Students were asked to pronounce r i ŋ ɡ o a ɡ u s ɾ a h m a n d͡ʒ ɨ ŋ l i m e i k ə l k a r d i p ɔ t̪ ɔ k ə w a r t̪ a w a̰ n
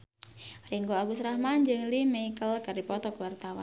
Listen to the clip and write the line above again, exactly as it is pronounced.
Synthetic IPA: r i ŋ ɡ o a ɡ u s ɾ a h m a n d͡ʒ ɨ ŋ l i m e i k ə l k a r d i p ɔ t̪ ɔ k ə w a r t̪ a w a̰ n